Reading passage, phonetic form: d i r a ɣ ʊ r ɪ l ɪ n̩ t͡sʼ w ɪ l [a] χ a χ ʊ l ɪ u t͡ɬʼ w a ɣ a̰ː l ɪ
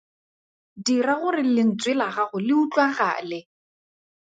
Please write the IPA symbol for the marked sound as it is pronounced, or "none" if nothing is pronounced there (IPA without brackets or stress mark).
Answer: a